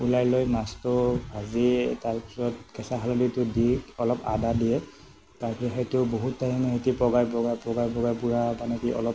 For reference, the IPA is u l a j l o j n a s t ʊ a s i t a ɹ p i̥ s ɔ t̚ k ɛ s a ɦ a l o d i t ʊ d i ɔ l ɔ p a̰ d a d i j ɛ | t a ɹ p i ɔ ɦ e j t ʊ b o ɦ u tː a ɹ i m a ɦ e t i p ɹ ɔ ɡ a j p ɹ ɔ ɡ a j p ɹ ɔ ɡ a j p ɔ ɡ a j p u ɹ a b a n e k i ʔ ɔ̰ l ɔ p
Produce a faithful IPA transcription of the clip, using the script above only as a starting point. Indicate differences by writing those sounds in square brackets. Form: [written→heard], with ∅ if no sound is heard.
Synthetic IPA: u l a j l o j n a s t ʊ a [s→z] i t a ɹ p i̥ s ɔ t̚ k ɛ s a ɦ a l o d i t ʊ d i ɔ l ɔ p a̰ d a d i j ɛ | t a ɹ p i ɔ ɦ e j t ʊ b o ɦ u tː a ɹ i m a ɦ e t i p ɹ ɔ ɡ a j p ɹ ɔ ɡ a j p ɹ ɔ ɡ a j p ɔ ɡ a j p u ɹ a b a n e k i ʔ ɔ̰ l ɔ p

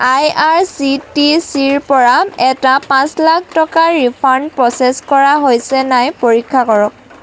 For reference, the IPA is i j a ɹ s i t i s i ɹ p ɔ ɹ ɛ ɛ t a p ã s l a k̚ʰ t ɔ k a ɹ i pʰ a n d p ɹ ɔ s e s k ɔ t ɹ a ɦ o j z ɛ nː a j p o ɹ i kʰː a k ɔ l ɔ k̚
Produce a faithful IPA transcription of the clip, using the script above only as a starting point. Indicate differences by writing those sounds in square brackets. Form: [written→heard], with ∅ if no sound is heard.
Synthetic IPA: [i→a] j a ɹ s i t i s i ɹ p ɔ ɹ [ɛ→a] ɛ t a p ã s l a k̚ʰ t ɔ k a ɹ i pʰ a n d p ɹ ɔ s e s k ɔ [t→∅] ɹ a ɦ o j [z→s] ɛ [nː→n] a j p o ɹ i kʰː a k ɔ [l→ɹ] ɔ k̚

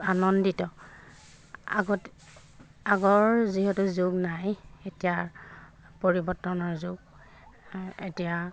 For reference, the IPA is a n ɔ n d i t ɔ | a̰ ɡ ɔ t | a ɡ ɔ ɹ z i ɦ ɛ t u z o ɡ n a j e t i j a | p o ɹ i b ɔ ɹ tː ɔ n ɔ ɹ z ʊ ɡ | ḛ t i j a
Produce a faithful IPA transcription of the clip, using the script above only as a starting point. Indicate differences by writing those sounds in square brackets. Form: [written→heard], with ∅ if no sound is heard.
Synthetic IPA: a n ɔ n d i t ɔ | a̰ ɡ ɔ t | a ɡ ɔ ɹ z i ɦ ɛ t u z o ɡ n a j e t i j a | p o ɹ i b ɔ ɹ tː ɔ n ɔ ɹ z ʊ ɡ | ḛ t i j a

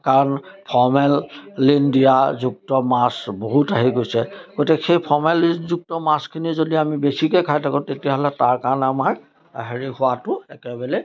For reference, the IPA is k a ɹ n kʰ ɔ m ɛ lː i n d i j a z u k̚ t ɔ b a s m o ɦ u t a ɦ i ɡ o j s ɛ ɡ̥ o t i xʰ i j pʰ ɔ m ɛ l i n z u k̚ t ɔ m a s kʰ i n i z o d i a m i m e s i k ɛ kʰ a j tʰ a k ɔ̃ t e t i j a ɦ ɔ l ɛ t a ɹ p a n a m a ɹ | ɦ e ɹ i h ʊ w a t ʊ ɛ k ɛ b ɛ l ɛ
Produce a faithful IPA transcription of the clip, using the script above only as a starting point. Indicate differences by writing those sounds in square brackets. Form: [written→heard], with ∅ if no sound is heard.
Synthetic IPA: k a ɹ n [kʰ→pʰ] ɔ m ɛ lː i n d i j a z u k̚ t ɔ [b→m] a s [m→b] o ɦ u t a ɦ i ɡ o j s ɛ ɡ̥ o t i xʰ [i→e] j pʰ ɔ m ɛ l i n z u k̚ t ɔ m a s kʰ i n i z o d i a m i [m→b] e s i k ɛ kʰ a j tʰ a k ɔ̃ t e t i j a ɦ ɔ l ɛ t a ɹ [p→k] a n a m a ɹ | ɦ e ɹ i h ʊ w a t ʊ ɛ k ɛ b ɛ l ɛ

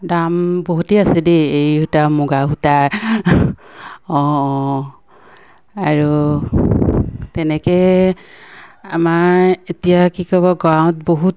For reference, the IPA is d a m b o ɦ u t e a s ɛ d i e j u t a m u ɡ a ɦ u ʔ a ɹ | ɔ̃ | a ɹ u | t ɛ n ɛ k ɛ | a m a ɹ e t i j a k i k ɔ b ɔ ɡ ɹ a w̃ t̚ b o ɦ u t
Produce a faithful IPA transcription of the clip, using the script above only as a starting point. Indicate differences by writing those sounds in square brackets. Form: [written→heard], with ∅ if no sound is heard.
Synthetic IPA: d a m b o ɦ u t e a s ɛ d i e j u t a m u ɡ a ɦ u [ʔ→t] a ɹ | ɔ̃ | a ɹ u | t ɛ n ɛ k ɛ | a m a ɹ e t i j a k i k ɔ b ɔ ɡ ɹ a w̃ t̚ b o ɦ u t

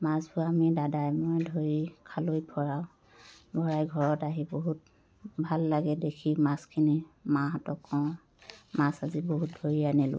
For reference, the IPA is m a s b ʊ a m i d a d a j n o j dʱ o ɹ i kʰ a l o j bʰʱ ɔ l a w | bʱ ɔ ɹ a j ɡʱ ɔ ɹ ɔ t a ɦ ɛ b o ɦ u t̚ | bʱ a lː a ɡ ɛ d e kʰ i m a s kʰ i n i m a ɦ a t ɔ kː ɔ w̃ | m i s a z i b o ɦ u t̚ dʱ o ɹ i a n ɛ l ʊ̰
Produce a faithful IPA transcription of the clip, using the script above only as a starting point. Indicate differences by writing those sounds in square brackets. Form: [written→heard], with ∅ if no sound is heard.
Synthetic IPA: m a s b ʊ a m i d a d a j [n→m] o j dʱ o ɹ i kʰ a l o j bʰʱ ɔ [l→ɹ] a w | bʱ ɔ ɹ a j ɡʱ ɔ ɹ ɔ t a ɦ [ɛ→i] b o ɦ u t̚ | bʱ a lː a ɡ ɛ d e kʰ i m a s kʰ i n i m a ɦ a t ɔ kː ɔ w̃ | m [i→a] s a z i b o ɦ u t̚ dʱ o ɹ i a n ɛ l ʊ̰

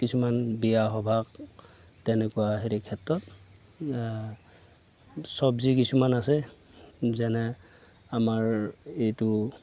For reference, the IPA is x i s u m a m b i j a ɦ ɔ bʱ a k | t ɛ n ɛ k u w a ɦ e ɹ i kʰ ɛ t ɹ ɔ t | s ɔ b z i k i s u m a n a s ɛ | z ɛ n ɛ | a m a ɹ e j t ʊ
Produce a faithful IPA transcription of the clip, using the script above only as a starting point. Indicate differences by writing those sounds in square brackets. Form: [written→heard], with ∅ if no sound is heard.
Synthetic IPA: [x→k] i s u m a [m→n] b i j a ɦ ɔ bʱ a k | t ɛ n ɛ k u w a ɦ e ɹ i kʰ ɛ t ɹ ɔ t | s ɔ b z i k i s u m a n a s ɛ | z ɛ n ɛ | a m a ɹ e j t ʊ

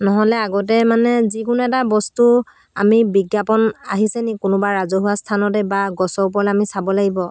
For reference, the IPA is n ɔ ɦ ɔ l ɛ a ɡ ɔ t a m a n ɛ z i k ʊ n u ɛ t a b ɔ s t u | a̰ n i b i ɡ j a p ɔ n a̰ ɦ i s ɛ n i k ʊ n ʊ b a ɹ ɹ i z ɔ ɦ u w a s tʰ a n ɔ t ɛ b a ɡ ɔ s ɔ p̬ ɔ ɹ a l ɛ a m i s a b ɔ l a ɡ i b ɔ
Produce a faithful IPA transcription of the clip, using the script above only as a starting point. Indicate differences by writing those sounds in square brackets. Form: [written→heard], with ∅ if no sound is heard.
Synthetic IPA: n ɔ ɦ ɔ l ɛ a ɡ ɔ t [a→ɛ] m a n ɛ z i k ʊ n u ɛ t a b ɔ s t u | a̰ [n→m] i b i ɡ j a p ɔ n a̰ ɦ i s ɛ n i k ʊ n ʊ b a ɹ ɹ [i→a] z ɔ ɦ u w a s tʰ a n ɔ t ɛ b a ɡ ɔ s ɔ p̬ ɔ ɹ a l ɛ a m i s a b ɔ l a ɡ i b ɔ

